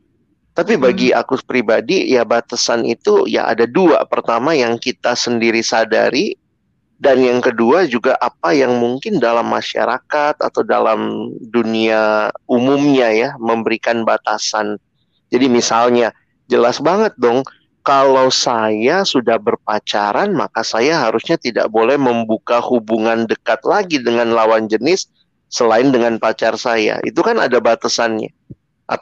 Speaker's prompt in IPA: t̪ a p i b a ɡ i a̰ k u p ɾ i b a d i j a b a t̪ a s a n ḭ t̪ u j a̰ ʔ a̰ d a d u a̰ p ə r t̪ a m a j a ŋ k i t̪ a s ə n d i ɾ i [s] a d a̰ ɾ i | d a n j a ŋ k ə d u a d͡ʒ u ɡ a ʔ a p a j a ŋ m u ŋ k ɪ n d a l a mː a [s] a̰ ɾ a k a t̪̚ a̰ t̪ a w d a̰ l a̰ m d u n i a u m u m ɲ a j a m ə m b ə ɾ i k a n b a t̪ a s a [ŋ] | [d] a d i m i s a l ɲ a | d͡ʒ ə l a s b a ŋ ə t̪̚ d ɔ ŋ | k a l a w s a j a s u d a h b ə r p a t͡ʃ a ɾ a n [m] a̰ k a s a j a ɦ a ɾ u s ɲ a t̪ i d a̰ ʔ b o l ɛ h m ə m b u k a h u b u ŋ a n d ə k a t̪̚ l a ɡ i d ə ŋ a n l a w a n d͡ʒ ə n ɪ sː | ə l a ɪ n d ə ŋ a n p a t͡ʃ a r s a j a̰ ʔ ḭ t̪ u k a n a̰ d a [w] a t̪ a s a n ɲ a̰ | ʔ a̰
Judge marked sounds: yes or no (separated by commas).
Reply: yes, no, no, no, yes, no